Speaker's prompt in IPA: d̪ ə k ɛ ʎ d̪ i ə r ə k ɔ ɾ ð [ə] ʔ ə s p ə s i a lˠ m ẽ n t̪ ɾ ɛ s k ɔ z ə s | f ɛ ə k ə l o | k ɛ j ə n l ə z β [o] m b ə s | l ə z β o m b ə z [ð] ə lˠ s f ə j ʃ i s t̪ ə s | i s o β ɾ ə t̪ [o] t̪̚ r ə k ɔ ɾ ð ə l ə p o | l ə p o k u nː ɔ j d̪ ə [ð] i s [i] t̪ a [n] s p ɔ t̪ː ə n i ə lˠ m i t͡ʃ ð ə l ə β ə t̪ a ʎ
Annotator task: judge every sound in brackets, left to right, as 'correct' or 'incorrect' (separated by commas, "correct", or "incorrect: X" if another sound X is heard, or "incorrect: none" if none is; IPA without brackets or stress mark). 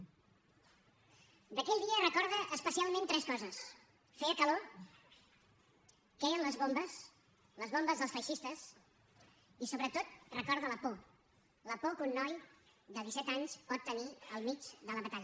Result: correct, correct, correct, correct, correct, incorrect: ɛ, incorrect: ɲ